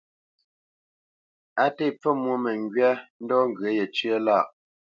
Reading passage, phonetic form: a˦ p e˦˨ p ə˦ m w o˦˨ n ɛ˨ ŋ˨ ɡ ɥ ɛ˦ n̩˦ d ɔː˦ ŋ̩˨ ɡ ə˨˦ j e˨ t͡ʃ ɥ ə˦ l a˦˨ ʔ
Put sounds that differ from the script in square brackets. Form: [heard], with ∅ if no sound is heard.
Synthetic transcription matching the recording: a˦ [t] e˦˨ [p͡f] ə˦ m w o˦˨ [m] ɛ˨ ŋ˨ ɡ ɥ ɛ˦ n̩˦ d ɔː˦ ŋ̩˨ ɡ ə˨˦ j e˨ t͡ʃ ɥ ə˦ l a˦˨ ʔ